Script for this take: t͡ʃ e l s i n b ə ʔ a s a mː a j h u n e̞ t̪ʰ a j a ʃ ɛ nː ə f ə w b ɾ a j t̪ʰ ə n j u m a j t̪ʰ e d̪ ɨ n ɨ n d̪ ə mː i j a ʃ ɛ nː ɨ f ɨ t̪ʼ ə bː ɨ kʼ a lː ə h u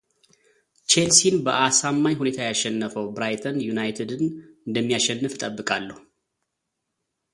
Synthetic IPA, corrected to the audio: t͡ʃ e l s i n b ə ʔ a s a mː a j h u n e̞ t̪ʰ a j a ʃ ɛ nː ə f ə w b ɾ a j t̪ʰ ə n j u n a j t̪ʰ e d̪ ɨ n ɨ n d̪ ə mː i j a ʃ ɛ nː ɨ f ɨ t̪ʼ ə bː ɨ kʼ a lː ə h u